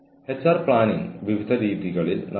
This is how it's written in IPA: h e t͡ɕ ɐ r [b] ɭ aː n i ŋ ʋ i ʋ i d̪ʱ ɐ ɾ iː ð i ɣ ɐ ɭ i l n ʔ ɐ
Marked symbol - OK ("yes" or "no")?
no